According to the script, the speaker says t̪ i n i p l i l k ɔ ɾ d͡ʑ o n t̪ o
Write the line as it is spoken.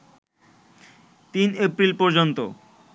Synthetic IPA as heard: t̪ i n e p ɾ i l p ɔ ɾ d͡ʑ o n t̪ o